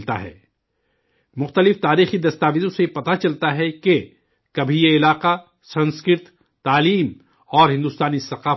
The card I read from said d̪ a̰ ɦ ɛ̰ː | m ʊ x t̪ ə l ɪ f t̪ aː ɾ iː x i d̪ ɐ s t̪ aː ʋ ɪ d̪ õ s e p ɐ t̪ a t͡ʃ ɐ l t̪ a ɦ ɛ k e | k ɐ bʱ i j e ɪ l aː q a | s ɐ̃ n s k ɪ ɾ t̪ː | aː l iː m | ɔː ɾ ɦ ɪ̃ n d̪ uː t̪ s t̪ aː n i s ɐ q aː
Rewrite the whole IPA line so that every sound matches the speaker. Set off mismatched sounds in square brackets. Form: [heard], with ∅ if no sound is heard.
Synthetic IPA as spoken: [t̪] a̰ ɦ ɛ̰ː | m ʊ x t̪ ə l ɪ f t̪ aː ɾ iː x i d̪ ɐ s t̪ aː ʋ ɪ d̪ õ s e p ɐ t̪ a t͡ʃ ɐ l t̪ a ɦ ɛ k e | k ɐ bʱ i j e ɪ l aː q a | s ɐ̃ n s k ɪ ɾ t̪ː | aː l iː m | ɔː ɾ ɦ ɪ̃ n d̪ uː [∅] s t̪ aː n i s ɐ q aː